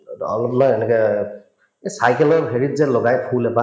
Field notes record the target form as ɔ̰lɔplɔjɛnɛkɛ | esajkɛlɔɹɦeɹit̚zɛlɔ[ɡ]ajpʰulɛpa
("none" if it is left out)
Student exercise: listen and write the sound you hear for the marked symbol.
ɡ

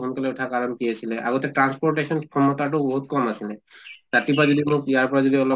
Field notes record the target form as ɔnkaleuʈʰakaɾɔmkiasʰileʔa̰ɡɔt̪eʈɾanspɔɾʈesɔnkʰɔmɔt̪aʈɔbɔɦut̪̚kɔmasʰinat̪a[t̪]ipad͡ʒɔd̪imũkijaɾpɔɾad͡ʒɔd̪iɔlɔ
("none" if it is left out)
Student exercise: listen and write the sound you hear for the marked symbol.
t̪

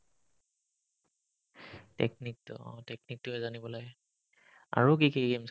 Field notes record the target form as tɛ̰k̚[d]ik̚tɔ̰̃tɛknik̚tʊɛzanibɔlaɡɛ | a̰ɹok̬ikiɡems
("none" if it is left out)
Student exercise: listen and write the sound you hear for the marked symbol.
n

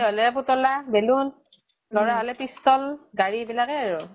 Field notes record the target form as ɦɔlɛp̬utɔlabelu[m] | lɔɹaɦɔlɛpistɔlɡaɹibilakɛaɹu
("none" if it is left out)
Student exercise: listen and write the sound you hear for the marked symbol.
n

